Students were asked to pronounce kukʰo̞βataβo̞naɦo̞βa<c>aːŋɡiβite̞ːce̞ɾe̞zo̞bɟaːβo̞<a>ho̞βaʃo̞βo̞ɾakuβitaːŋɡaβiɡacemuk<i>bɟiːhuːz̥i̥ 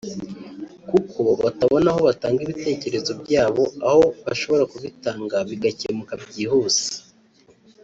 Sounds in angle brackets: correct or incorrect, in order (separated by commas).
incorrect, correct, incorrect